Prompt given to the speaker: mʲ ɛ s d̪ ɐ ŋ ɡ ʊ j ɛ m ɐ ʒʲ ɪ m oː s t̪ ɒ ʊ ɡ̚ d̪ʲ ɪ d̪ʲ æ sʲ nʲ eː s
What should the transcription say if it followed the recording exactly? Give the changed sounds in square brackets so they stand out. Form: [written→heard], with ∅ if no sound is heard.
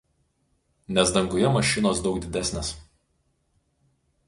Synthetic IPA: [mʲ→nʲ] ɛ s d̪ ɐ ŋ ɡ ʊ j ɛ m ɐ [ʒʲ→ʃʲ] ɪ [m→n] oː s [t̪→d̪] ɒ ʊ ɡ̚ d̪ʲ ɪ d̪ʲ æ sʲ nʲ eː s

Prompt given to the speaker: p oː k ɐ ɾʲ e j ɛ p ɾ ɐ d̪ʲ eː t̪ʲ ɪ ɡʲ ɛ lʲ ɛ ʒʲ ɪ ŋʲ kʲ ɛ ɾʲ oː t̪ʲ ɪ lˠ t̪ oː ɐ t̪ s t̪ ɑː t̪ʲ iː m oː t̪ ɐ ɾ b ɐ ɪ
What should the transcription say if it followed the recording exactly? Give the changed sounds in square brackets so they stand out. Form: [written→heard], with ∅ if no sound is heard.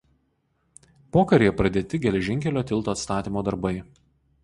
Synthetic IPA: p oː k ɐ ɾʲ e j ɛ p ɾ ɐ d̪ʲ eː t̪ʲ ɪ ɡʲ ɛ lʲ ɛ ʒʲ ɪ ŋʲ kʲ ɛ [ɾʲ→lʲ] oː t̪ʲ ɪ lˠ t̪ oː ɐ t̪ s t̪ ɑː t̪ʲ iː m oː [t̪→d̪] ɐ ɾ b ɐ ɪ

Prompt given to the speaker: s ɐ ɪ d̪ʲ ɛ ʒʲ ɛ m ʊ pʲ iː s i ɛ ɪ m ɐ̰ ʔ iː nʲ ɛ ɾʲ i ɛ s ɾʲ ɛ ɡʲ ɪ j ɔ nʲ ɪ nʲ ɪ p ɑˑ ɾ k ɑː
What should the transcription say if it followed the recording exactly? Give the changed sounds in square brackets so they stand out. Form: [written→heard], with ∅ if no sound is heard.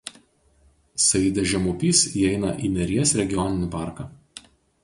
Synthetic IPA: s ɐ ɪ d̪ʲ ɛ ʒʲ ɛ m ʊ pʲ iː s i ɛ ɪ [m→n] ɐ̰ ʔ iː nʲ ɛ ɾʲ i ɛ s ɾʲ ɛ ɡʲ ɪ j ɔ nʲ ɪ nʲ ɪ p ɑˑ ɾ k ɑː

